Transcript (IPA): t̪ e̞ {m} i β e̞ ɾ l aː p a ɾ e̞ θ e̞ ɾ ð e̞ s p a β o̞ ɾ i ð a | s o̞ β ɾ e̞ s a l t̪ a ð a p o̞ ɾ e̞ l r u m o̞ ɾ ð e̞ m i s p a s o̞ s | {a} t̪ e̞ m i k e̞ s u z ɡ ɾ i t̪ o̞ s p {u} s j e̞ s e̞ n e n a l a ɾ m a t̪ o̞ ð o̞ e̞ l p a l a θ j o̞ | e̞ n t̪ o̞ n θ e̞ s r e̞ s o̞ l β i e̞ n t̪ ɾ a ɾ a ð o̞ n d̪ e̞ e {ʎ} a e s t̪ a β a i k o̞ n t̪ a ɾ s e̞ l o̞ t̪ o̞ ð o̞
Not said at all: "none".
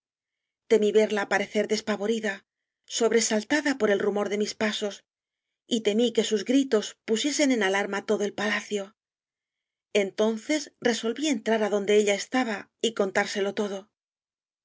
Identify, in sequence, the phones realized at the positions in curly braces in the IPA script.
m, i, u, ʎ

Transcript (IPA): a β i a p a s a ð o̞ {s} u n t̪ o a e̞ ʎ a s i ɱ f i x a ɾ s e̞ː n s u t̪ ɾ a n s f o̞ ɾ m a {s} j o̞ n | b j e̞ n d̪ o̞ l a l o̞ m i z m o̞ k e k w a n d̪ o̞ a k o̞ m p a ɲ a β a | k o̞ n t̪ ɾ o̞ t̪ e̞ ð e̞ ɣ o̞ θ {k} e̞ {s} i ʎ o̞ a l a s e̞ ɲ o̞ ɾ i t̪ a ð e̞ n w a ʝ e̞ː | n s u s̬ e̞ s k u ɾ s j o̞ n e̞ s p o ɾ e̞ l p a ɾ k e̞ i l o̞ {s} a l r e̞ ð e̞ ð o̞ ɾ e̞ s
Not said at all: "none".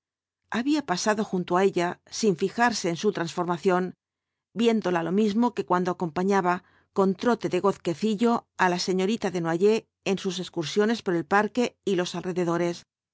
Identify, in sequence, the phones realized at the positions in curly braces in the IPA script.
x, θ, k, θ, s

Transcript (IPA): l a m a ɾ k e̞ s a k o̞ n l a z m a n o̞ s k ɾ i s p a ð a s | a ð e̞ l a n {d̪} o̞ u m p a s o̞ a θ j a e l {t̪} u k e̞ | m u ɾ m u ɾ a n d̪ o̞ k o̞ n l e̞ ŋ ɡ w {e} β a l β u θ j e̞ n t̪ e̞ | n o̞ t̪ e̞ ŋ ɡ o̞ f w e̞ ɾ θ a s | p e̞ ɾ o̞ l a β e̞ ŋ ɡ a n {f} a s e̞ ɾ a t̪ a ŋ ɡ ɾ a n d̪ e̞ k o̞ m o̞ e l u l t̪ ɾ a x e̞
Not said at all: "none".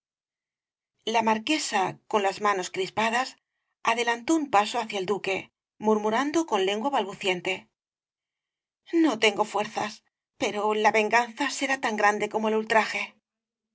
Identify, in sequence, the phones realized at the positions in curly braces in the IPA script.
t̪, d̪, a, θ

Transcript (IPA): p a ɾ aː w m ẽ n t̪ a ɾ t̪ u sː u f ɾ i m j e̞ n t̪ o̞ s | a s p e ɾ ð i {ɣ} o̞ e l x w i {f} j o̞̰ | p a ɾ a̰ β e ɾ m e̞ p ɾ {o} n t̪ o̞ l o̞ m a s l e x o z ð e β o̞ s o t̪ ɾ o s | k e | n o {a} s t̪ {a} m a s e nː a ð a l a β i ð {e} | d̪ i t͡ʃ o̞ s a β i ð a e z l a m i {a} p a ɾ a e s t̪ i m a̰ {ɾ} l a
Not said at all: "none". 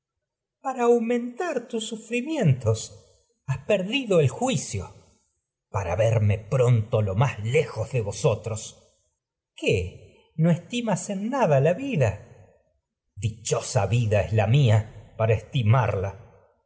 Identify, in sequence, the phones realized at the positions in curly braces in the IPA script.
ð, s, o, e, i, a, a, ɾ

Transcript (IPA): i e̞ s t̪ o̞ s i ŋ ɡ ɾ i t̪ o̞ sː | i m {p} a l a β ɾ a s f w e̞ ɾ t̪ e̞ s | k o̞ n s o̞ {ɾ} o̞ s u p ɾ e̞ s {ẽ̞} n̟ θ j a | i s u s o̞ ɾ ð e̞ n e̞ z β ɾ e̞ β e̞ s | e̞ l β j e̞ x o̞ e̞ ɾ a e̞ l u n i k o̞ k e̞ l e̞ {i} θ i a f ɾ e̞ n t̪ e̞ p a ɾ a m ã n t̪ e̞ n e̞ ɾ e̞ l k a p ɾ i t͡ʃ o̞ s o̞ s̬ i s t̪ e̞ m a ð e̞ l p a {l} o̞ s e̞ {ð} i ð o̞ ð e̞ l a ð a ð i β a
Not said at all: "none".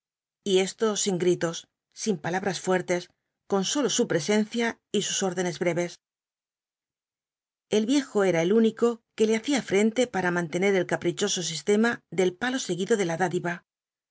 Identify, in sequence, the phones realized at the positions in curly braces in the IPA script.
p, l, e̞, a, l, ɣ

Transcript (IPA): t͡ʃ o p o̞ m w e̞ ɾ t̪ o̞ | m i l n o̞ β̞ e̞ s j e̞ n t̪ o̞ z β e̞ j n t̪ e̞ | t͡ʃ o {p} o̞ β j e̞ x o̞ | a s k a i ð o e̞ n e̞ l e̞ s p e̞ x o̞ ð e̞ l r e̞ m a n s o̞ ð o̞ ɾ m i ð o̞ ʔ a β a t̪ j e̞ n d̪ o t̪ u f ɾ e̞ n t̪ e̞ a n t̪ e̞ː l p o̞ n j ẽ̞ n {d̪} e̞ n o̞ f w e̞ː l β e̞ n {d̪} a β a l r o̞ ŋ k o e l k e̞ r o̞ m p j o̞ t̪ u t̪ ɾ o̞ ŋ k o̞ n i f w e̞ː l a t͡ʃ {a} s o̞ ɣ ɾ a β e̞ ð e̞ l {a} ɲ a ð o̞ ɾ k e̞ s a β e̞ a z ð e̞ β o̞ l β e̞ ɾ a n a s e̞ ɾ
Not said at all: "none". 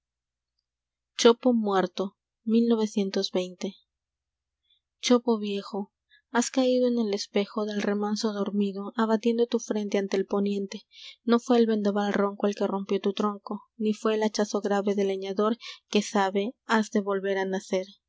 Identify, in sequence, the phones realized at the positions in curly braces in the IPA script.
p, t̪, d̪, a, e

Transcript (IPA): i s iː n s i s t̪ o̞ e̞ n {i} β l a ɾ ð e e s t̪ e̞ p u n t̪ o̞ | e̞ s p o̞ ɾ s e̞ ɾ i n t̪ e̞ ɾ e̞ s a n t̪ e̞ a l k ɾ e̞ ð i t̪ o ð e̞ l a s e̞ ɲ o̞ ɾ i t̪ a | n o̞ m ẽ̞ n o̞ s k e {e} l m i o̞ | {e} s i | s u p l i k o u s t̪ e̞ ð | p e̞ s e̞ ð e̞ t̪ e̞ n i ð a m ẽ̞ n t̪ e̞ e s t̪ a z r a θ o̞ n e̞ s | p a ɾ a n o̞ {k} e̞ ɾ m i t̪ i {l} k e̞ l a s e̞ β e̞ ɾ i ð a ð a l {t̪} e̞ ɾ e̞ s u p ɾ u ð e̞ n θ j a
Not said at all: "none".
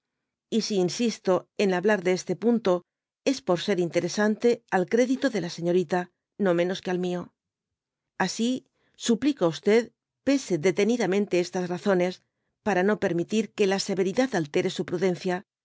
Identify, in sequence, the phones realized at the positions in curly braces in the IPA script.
a, a, a, p, ɾ, t̪

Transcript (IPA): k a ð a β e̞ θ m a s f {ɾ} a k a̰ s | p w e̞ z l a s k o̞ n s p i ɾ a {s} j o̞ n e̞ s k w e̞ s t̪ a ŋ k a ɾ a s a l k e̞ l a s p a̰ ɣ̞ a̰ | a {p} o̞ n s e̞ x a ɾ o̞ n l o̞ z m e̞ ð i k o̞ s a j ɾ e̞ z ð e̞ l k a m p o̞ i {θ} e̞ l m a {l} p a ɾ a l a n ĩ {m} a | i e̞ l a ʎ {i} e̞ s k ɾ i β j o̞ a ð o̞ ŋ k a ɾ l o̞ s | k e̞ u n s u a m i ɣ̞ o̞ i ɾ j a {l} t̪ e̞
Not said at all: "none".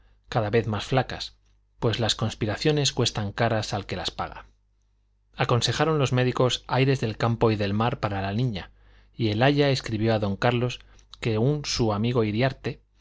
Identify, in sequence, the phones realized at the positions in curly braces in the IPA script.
l, θ, k, ð, ɾ, ɲ, a, ɾ

